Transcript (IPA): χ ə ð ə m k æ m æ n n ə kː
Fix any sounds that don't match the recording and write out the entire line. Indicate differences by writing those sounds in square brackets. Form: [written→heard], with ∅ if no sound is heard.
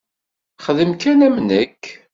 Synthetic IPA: χ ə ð ə m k æ [m→n] æ [n→m] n ə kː